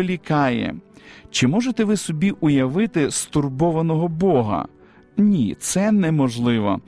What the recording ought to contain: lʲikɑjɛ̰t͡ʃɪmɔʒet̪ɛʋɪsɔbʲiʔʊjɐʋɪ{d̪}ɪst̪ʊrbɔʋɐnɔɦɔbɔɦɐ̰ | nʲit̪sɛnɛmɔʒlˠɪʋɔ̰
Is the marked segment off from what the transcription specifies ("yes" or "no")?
yes